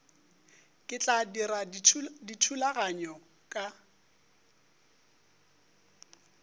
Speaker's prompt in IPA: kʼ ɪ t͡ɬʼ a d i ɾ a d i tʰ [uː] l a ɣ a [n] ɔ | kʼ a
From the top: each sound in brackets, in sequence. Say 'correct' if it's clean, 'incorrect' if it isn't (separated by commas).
incorrect, incorrect